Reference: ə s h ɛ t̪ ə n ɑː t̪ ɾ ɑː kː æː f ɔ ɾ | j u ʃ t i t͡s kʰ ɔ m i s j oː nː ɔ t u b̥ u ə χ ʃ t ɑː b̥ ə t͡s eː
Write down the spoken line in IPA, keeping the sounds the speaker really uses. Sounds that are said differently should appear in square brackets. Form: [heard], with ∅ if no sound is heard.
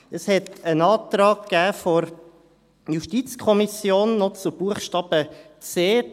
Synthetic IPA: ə s h ɛ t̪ ə n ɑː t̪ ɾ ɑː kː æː f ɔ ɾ | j u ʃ t i t͡s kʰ ɔ m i s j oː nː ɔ [t͡s] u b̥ u ə χ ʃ t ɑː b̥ ə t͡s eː